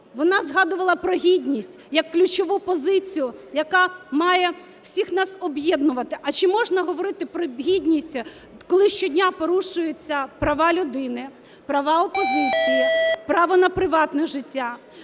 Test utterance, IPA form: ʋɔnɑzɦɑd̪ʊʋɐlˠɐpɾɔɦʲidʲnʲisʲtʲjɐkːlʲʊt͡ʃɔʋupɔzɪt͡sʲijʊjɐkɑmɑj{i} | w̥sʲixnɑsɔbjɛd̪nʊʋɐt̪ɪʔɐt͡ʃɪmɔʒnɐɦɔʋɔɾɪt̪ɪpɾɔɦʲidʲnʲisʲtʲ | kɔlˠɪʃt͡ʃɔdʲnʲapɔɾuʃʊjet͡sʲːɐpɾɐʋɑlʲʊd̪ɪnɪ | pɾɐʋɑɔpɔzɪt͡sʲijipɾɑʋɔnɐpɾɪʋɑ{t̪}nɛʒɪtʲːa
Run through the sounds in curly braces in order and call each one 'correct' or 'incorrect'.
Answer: incorrect, correct

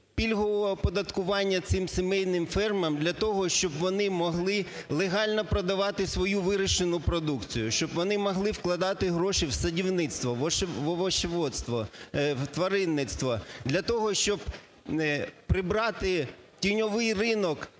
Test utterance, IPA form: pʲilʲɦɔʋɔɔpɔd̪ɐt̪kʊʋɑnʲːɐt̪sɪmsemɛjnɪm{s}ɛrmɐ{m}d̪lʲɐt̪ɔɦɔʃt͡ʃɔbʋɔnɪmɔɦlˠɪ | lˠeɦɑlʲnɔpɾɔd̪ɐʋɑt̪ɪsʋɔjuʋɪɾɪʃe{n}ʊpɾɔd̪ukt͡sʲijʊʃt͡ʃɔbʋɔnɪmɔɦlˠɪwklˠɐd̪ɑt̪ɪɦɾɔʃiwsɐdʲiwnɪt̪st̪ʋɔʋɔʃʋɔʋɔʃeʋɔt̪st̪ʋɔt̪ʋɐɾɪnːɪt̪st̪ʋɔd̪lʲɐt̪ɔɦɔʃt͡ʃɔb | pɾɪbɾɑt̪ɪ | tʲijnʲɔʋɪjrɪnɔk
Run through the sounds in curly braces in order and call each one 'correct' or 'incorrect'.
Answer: incorrect, correct, correct

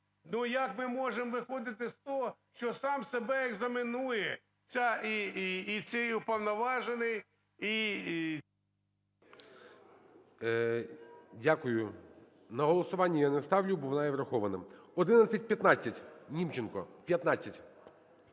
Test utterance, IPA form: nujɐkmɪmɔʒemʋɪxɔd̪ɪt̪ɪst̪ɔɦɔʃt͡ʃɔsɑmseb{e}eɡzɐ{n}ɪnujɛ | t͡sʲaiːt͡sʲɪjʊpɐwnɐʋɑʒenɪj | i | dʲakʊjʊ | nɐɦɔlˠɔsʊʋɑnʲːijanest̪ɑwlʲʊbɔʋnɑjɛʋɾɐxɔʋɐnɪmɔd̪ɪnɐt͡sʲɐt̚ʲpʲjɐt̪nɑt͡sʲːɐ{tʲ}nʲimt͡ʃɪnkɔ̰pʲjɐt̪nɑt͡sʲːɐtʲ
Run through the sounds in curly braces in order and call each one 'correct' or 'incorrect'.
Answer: incorrect, incorrect, correct

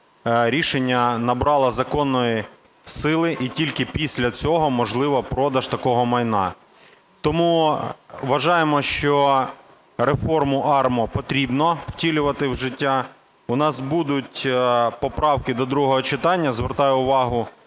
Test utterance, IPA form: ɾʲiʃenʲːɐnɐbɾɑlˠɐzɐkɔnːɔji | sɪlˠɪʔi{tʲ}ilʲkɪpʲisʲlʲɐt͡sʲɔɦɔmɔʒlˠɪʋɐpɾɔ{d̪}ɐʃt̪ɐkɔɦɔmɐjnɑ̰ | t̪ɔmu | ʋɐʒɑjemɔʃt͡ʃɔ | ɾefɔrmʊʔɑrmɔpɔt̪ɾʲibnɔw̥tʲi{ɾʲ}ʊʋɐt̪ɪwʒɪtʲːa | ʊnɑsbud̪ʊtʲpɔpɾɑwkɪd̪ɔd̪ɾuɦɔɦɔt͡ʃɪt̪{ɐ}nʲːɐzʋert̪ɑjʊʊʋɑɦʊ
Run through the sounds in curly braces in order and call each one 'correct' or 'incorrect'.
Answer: correct, correct, incorrect, incorrect

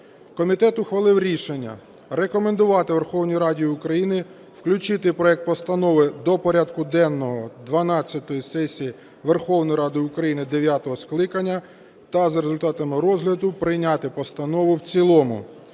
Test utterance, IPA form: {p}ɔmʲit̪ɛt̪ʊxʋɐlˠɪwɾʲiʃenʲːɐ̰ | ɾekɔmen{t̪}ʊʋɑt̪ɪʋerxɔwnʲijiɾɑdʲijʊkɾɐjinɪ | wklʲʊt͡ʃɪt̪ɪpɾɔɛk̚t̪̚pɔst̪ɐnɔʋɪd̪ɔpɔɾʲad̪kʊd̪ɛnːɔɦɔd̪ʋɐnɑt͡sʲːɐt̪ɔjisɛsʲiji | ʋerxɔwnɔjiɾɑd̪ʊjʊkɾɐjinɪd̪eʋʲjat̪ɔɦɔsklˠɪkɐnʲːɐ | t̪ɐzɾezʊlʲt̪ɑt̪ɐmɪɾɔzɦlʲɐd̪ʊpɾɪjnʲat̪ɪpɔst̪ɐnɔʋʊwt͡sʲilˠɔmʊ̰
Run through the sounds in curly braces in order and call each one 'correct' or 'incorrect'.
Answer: incorrect, incorrect

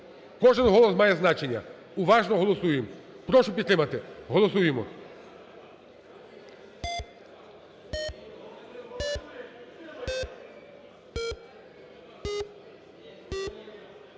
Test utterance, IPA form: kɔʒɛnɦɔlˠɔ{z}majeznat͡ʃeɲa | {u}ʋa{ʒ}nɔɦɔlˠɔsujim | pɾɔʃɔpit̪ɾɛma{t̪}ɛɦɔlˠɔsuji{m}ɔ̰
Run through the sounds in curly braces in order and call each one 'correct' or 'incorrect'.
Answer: incorrect, correct, correct, correct, correct

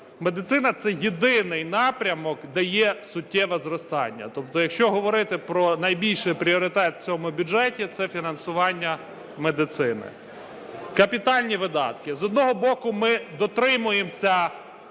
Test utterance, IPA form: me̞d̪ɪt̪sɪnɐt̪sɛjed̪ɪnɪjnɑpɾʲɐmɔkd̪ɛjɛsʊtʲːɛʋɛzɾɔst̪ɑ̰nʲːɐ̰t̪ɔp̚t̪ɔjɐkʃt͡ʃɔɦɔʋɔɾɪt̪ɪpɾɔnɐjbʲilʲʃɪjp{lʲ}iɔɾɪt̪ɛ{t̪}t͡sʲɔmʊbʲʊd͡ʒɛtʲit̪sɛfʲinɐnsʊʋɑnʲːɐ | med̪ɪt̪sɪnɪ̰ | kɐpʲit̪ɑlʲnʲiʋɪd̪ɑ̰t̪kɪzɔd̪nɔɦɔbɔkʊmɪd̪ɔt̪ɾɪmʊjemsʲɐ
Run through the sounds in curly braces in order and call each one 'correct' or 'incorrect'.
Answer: incorrect, correct

